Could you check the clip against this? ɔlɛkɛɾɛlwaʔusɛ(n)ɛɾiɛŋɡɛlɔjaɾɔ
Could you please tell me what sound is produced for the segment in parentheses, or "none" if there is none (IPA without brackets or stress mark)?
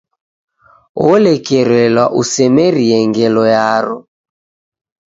m